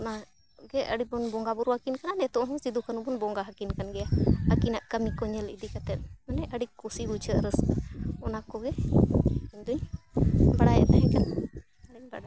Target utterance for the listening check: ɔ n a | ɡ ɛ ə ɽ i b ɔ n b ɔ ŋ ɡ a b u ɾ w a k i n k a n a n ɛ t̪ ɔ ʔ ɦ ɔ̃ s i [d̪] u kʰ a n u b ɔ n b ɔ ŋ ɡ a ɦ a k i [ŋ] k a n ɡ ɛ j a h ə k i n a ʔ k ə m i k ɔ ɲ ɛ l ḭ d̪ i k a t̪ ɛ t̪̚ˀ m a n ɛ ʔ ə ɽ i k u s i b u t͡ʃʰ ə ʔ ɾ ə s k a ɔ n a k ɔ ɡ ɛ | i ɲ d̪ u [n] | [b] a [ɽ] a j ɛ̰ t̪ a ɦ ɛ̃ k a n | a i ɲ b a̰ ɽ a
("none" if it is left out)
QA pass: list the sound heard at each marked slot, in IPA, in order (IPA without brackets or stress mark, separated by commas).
d̪, n, ɲ, b, ɽ